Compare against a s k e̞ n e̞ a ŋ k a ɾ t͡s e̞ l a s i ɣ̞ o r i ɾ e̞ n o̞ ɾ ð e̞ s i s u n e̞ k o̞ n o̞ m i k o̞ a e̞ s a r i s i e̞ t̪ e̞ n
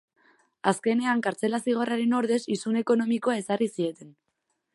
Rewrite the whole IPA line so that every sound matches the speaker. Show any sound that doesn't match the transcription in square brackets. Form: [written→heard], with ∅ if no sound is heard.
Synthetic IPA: a s k e̞ n e̞ a ŋ k a ɾ t͡s e̞ l a s i ɣ̞ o r [i→a] ɾ e̞ n o̞ ɾ ð e̞ s i s u n e̞ k o̞ n o̞ m i k o̞ a e̞ s a r i s i e̞ t̪ e̞ n

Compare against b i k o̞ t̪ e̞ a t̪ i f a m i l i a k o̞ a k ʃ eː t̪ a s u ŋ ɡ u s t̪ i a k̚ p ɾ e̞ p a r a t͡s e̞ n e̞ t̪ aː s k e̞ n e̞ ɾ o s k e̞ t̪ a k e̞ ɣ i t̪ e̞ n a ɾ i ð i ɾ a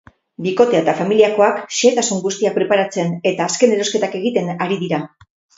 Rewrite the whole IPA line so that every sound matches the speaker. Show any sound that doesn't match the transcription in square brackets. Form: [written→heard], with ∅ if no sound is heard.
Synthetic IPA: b i k o̞ t̪ e̞ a t̪ [i→a] f a m i l i a k o̞ a k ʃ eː t̪ a s u ŋ ɡ u s t̪ i a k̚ p ɾ e̞ p a [r→ɾ] a t͡s e̞ n e̞ t̪ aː s k e̞ n e̞ ɾ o s k e̞ t̪ a k e̞ ɣ i t̪ e̞ n a ɾ i ð i ɾ a

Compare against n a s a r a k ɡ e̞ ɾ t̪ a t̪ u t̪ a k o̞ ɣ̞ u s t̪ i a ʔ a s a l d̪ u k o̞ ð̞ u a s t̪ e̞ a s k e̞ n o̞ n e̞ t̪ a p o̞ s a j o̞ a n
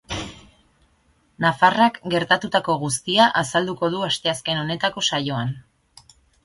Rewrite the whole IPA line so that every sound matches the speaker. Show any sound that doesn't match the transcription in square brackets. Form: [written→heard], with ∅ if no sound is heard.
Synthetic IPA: n a [s→f] a r a k ɡ e̞ ɾ t̪ a t̪ u t̪ a k o̞ ɣ̞ u s t̪ i a ʔ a s a l d̪ u k o̞ ð̞ u a s t̪ e̞ a s k e̞ n o̞ n e̞ t̪ a [p→k] o̞ s a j o̞ a n

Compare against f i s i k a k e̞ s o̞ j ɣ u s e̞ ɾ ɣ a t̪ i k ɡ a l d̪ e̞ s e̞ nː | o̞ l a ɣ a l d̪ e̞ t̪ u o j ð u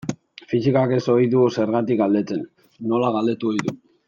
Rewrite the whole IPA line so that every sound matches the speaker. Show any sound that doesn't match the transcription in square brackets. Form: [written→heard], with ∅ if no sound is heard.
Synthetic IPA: f i s i k a k e̞ s o̞ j [ɣ→ð] u s e̞ ɾ ɣ a t̪ i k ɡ a l d̪ e̞ [s→t͡s] e̞ nː | o̞ l a ɣ a l d̪ e̞ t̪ u o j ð u

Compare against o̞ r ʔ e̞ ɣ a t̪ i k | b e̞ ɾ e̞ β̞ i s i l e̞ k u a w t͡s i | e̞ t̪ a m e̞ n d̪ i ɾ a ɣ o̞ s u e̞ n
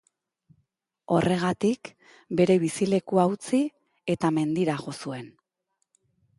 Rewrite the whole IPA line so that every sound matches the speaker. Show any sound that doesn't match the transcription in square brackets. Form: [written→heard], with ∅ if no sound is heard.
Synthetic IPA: o̞ r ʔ e̞ ɣ a t̪ i k | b e̞ ɾ e̞ β̞ i s i l e̞ k u a w t͡s i | e̞ t̪ a m e̞ n d̪ i ɾ a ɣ o̞ s u e̞ n

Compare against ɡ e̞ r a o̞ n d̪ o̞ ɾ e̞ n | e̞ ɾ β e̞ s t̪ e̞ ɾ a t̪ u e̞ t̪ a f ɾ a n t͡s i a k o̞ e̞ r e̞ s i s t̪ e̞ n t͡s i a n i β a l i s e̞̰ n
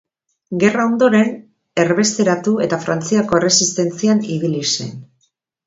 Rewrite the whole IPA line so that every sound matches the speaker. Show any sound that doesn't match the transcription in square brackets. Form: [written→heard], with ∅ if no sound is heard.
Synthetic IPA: ɡ e̞ r a o̞ n d̪ o̞ ɾ e̞ n | e̞ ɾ β e̞ s t̪ e̞ ɾ a t̪ u e̞ t̪ a f ɾ a n t͡s i a k o̞ e̞ r e̞ s i s t̪ e̞ n t͡s i a n i β [a→i] l i s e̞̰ n

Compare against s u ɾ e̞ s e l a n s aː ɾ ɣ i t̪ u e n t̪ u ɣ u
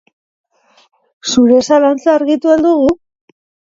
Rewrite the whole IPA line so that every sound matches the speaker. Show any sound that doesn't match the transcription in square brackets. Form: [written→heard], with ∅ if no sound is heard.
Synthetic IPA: s u ɾ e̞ s [e→a] l a n [s→t͡s] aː ɾ ɣ i t̪ u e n [t̪→d̪] u ɣ u

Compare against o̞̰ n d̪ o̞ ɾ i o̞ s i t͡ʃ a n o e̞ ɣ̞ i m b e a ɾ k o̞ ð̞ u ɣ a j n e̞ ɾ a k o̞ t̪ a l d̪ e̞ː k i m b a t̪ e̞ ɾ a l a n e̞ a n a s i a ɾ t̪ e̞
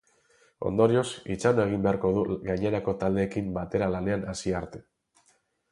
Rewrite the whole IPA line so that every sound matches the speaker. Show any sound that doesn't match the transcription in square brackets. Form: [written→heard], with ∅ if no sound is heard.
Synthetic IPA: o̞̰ n d̪ o̞ ɾ i o̞ s i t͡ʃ a n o e̞ ɣ̞ i m b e a ɾ k o̞ ð̞ u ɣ a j [n→ɲ] e̞ ɾ a k o̞ t̪ a l d̪ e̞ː k i m b a t̪ e̞ ɾ a l a n e̞ a n a s i a ɾ t̪ e̞

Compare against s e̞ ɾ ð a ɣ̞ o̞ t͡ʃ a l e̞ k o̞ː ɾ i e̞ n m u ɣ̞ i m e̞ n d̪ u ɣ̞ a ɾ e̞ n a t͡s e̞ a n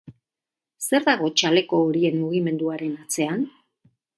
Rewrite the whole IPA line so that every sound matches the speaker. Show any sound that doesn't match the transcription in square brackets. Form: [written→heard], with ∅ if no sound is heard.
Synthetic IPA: s e̞ ɾ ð a ɣ̞ o̞ t͡ʃ a l e̞ k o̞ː ɾ i e̞ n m u ɣ̞ i m e̞ n d̪ u [ɣ̞→∅] a ɾ e̞ n a t͡s e̞ a n

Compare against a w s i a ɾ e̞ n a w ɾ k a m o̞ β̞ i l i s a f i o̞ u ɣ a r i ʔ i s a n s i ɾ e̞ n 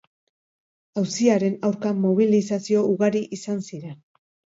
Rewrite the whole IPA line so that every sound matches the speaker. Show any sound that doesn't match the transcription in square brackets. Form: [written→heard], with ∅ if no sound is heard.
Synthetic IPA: a w s i a ɾ e̞ n a w ɾ k a m o̞ β̞ i l i s a [f→s] i o̞ u ɣ a [r→ɾ] i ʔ i s a n s i ɾ e̞ n

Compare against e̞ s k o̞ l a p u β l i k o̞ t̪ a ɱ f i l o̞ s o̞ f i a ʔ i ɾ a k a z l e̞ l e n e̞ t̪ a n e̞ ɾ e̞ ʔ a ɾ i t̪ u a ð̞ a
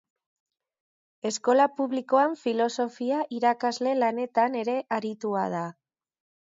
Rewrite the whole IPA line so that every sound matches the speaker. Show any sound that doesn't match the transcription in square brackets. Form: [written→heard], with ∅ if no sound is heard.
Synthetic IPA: e̞ s k o̞ l a p u β l i k o̞ [t̪→∅] a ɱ f i l o̞ s o̞ f i a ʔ i ɾ a k a z l e̞ l [e→a] n e̞ t̪ a n e̞ ɾ e̞ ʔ a ɾ i t̪ u a ð̞ a

